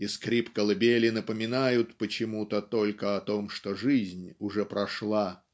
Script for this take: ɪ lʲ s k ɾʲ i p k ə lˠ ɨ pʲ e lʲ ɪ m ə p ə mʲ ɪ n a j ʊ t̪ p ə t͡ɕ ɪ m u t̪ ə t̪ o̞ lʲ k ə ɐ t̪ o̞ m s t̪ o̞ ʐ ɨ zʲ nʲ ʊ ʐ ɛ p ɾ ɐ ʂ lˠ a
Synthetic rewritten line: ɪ s k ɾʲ i p k ə lˠ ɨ bʲ e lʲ ɪ n ə p ə mʲ ɪ n a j ʊ t̪ p ə t͡ɕ ɪ m u t̪ ə t̪ o̞ lʲ k ə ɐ t̪ o̞ m ʂ t̪ o̞ ʐ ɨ zʲ nʲ ʊ ʐ ɛ p ɾ ɐ ʂ lˠ a